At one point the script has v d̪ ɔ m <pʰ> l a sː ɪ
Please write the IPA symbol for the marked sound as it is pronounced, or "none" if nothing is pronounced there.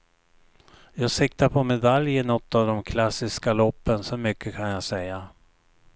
kʰ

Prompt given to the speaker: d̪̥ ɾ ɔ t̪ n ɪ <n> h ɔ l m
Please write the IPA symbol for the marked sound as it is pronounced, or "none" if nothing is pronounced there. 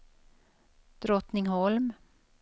ŋ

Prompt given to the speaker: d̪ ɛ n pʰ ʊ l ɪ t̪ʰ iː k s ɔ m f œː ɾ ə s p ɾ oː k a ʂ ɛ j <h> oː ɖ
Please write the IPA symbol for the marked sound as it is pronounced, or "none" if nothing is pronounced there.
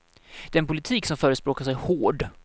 h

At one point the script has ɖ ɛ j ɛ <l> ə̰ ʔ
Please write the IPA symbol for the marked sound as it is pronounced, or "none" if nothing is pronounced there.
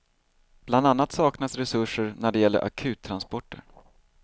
lː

